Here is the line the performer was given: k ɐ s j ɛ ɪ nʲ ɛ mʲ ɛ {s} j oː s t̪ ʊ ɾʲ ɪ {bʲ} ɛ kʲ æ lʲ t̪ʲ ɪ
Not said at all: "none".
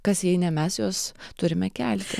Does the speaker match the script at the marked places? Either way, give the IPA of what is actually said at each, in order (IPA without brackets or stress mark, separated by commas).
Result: s, mʲ